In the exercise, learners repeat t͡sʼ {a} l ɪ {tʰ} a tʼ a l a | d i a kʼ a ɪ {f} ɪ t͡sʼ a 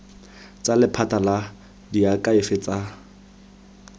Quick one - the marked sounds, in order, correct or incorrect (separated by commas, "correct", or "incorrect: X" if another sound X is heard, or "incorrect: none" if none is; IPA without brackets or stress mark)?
correct, incorrect: pʰ, correct